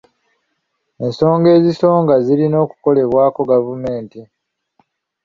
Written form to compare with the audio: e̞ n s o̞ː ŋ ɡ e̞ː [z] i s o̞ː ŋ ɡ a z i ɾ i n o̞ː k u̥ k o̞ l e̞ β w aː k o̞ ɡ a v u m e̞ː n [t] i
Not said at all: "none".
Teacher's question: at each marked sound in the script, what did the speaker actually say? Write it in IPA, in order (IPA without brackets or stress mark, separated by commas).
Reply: z, t